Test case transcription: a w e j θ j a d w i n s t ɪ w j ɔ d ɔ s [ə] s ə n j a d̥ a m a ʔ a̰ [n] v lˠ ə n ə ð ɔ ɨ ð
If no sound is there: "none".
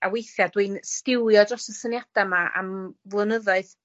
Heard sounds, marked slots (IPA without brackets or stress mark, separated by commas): ə, m